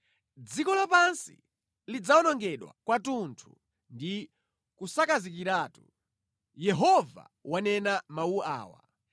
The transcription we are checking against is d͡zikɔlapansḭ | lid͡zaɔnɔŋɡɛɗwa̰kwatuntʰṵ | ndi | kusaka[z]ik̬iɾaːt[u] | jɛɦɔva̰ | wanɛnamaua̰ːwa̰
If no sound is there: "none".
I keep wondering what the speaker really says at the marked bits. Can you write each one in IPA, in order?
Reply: z, u

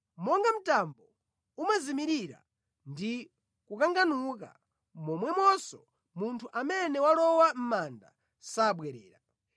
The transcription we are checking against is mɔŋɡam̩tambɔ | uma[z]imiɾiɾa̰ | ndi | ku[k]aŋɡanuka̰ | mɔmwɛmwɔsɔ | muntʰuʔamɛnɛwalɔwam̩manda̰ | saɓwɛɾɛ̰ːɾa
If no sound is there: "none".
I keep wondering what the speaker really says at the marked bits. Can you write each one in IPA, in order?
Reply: z, k

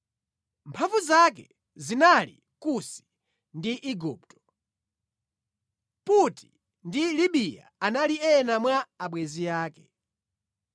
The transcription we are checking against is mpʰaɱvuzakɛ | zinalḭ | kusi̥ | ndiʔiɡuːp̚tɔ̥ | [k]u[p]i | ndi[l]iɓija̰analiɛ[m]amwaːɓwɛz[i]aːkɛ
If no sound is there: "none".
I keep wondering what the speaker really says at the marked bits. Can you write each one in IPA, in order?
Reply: p, t, l, n, i

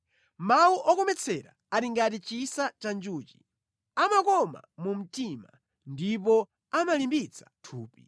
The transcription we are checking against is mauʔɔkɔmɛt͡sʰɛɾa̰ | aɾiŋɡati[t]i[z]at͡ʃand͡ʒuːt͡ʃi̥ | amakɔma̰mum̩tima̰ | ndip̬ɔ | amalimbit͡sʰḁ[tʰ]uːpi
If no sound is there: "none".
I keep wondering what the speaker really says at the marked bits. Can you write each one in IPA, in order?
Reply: t͡ʃ, s, tʰ

